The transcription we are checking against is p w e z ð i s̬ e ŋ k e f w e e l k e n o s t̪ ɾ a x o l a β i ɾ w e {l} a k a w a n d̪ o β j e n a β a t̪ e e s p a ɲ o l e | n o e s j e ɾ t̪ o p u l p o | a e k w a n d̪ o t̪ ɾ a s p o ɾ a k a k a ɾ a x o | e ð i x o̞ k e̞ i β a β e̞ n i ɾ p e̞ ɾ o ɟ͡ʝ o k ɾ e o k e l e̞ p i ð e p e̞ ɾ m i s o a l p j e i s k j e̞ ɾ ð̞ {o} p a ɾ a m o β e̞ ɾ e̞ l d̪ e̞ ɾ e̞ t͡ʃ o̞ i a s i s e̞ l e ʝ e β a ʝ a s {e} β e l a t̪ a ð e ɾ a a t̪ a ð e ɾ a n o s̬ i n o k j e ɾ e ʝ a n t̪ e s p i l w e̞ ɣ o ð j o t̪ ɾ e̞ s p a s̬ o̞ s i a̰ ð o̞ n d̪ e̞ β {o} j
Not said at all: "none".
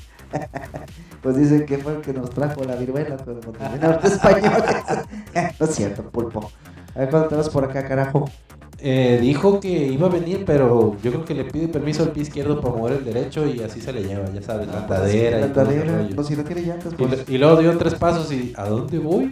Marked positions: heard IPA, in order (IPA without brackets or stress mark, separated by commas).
l, o, a, o